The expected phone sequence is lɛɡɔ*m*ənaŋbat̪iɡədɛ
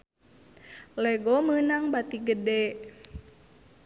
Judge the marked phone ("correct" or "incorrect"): correct